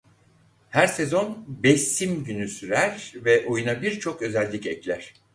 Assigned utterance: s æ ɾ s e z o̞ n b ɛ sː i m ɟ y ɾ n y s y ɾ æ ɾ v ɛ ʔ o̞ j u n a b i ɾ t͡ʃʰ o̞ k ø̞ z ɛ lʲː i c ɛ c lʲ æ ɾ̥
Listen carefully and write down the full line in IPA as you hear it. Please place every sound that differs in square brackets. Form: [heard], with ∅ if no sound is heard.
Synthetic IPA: [h] æ ɾ s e z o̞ n b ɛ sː i m ɟ y [∅] n y s y ɾ æ ɾ v ɛ ʔ o̞ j u n a b i ɾ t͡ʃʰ o̞ k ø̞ z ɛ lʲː i c ɛ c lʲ æ ɾ̥